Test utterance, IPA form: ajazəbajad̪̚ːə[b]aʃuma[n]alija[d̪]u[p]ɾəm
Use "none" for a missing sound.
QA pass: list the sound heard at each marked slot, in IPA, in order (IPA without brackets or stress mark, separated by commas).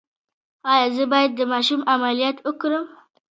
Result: m, m, t̪, k